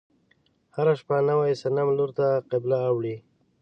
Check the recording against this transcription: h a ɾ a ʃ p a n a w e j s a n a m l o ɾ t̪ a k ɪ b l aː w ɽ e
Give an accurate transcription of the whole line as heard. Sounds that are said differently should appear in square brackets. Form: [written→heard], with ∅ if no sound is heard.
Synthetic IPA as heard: h a ɾ a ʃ p a n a w [e→a] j s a n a m l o ɾ t̪ a [k→q] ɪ b l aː w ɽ [e→i]